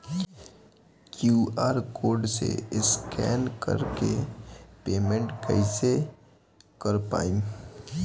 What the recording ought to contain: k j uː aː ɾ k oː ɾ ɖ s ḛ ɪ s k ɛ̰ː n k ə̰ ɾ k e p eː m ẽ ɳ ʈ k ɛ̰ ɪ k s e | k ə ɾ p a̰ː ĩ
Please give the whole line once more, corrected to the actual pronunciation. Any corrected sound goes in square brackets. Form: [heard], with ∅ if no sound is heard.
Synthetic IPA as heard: k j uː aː ɾ k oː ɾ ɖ s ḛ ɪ s k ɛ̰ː n k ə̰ ɾ k e p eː m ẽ ɳ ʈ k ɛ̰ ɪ [∅] s e | k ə ɾ p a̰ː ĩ